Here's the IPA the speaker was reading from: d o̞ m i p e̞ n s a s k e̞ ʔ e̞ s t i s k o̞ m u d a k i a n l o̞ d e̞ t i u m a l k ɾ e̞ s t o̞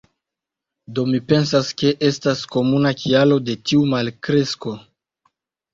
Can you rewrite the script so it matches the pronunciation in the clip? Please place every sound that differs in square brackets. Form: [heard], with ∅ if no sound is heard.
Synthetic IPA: d o̞ m i p e̞ n s a s k e̞ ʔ e̞ s t [a] s k o̞ m u [n] a k i a [∅] l o̞ d e̞ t i u m a l k ɾ e̞ s [k] o̞